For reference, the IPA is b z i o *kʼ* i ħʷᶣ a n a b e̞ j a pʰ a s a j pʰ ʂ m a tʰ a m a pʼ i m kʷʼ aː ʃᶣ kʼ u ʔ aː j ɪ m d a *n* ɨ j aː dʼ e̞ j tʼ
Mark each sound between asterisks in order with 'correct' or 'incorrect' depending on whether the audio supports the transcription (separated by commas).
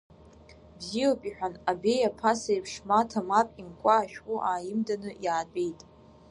incorrect, correct